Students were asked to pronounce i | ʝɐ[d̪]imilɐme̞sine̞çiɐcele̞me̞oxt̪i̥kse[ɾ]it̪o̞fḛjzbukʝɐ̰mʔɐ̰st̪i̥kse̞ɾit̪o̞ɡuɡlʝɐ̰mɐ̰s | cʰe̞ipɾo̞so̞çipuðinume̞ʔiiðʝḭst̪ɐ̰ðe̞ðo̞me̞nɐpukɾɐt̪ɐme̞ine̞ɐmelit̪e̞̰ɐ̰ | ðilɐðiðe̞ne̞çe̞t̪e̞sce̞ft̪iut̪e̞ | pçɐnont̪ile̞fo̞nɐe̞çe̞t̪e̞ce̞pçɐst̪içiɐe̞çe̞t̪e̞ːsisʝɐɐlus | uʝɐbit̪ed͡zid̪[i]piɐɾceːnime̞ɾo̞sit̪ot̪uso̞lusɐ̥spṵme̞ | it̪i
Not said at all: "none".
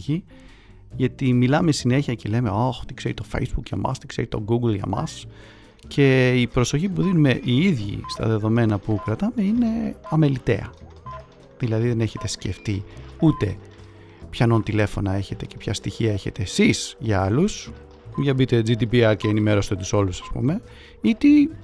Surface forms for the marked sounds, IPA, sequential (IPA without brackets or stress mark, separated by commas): t̪, ɾ, i